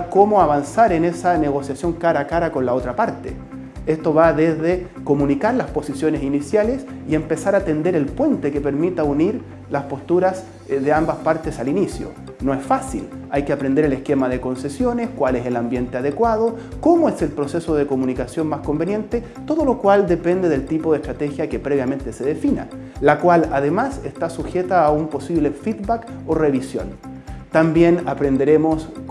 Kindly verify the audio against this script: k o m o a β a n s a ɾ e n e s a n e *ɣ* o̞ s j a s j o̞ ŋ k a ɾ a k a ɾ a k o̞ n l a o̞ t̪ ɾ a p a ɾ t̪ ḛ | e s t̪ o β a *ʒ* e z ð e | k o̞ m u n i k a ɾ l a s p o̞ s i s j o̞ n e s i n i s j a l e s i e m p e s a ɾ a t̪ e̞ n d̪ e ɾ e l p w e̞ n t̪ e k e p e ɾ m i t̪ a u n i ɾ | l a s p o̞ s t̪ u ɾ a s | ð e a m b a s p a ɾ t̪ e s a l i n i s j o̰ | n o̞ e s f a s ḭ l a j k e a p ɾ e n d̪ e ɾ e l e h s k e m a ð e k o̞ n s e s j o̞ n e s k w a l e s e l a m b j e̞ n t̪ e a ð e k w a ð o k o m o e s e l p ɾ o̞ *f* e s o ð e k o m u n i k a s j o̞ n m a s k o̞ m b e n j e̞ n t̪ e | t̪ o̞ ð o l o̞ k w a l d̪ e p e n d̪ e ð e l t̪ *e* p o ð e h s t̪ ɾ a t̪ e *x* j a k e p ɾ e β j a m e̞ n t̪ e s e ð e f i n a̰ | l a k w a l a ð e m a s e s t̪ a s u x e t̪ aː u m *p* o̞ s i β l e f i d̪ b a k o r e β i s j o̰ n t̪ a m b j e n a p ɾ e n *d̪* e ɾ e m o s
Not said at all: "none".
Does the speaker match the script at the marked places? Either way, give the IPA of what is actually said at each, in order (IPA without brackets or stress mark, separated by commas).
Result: ɣ, ð, s, i, x, p, d̪